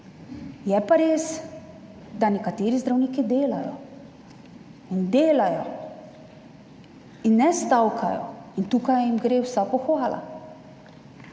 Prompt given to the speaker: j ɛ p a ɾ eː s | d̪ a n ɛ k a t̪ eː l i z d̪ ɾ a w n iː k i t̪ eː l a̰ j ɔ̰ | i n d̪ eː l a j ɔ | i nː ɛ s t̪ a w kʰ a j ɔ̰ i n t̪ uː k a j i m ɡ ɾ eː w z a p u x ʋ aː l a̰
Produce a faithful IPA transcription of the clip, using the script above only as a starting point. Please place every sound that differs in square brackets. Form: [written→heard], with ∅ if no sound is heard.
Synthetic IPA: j ɛ p a ɾ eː s | d̪ a n ɛ k a t̪ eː [l→ɾ] i z d̪ ɾ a w n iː k i [t̪→d̪] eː l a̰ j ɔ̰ | i n d̪ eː l a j ɔ | i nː ɛ s t̪ a w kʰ a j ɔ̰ i n t̪ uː k a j i m ɡ ɾ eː w [z→s] a p [u→ɔ] x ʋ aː l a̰